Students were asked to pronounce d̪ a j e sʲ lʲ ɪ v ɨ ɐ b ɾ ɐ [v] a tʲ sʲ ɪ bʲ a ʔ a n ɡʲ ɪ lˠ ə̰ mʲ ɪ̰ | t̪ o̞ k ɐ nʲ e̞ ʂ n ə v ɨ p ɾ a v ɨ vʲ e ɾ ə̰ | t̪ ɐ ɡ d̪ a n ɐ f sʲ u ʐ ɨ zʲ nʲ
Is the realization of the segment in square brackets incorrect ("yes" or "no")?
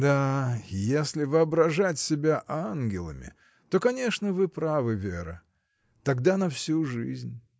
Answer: yes